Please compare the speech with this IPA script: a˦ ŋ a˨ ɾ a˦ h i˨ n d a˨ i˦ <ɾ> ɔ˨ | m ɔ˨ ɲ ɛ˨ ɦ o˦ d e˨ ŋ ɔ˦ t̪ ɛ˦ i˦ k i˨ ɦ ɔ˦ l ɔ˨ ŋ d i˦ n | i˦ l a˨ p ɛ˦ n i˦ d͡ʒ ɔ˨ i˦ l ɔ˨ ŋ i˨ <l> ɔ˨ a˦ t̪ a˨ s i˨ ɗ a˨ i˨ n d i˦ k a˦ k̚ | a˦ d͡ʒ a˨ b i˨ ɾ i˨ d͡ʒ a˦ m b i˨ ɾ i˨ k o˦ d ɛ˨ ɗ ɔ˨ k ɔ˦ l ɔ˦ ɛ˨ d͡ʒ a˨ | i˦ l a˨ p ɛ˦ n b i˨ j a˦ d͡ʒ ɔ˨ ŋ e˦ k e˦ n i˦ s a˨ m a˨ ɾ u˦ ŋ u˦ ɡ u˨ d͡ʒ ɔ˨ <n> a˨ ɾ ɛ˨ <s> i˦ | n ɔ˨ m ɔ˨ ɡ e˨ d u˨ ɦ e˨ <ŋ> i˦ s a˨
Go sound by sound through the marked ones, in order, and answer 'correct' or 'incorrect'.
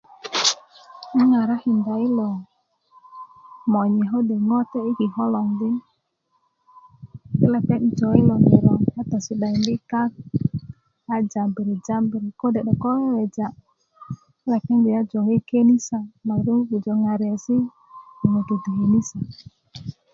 incorrect: l, incorrect: ɾ, incorrect: ŋ, correct, incorrect: n

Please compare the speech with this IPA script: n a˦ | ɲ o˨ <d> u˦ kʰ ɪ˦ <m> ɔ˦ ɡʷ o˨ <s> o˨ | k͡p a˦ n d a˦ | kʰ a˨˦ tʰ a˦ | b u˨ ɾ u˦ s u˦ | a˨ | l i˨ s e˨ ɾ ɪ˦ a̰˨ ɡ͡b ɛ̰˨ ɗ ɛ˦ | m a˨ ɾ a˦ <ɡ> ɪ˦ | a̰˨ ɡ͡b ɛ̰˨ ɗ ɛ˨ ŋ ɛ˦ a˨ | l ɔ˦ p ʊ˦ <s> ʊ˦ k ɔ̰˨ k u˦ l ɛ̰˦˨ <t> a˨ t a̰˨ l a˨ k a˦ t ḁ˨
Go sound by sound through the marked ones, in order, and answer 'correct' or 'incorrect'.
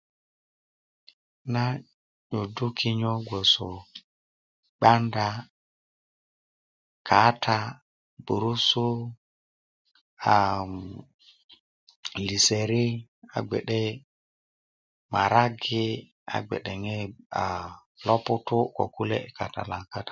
correct, incorrect: ɲ, correct, correct, incorrect: t, incorrect: k

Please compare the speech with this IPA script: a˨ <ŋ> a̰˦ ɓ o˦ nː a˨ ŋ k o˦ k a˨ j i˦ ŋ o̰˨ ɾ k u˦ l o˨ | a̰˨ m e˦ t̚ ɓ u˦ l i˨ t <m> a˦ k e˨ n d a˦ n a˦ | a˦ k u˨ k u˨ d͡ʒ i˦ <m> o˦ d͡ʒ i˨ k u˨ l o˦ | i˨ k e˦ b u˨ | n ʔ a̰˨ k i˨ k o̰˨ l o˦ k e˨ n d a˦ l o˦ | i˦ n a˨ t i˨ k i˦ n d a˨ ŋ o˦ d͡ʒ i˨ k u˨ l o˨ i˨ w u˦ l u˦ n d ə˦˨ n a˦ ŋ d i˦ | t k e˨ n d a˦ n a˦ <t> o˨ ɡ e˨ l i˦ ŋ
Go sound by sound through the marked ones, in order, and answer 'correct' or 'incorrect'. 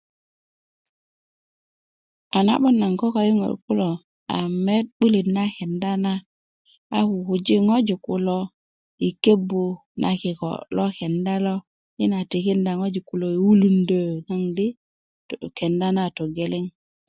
incorrect: n, incorrect: n, incorrect: ŋ, correct

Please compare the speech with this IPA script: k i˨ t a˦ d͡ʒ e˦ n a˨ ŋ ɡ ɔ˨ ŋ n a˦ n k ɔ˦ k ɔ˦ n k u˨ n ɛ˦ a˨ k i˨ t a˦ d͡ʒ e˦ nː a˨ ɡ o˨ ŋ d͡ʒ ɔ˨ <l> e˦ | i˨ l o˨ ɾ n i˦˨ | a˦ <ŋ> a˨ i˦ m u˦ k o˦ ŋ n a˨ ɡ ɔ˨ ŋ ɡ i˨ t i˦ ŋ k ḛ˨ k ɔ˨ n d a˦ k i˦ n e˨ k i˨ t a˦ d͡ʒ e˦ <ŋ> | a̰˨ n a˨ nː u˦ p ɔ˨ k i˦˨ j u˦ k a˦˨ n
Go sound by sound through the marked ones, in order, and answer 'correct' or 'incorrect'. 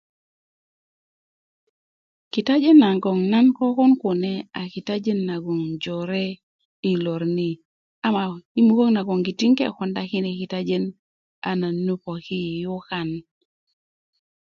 incorrect: ɾ, incorrect: m, incorrect: n

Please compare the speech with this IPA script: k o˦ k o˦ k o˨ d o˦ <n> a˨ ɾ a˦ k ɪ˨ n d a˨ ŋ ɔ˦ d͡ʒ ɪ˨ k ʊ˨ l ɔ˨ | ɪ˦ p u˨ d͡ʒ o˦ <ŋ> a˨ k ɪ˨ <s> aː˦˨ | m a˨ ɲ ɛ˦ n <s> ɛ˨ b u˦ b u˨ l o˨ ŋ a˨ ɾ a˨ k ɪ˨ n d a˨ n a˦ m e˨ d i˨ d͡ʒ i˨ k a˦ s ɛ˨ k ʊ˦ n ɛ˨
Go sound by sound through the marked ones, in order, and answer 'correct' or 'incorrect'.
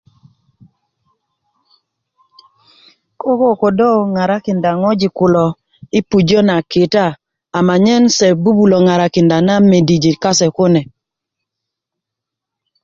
incorrect: ŋ, incorrect: n, incorrect: t, correct

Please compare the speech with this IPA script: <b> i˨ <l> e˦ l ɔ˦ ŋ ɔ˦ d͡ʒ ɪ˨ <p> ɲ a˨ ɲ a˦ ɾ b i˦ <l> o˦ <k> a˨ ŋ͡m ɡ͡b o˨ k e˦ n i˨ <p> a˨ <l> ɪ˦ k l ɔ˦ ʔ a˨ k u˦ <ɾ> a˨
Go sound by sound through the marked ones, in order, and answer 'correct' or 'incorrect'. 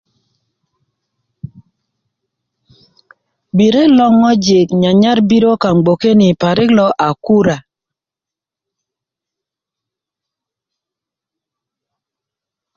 correct, incorrect: ɾ, incorrect: k, incorrect: ɾ, correct, correct, incorrect: ɾ, correct

